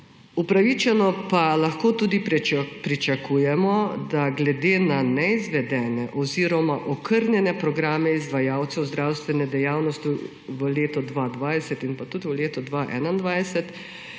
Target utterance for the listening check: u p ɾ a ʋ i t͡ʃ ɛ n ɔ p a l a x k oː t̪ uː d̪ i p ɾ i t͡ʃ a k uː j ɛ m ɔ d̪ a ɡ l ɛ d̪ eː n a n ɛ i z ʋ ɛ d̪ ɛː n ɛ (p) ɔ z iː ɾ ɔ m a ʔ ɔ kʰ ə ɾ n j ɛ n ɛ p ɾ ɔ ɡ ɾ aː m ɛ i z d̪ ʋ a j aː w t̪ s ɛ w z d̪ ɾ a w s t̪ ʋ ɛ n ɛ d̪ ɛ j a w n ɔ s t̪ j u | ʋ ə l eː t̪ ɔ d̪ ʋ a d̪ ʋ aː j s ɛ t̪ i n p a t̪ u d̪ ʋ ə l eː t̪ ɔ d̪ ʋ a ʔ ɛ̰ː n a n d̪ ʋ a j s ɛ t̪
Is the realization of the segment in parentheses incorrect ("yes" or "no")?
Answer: yes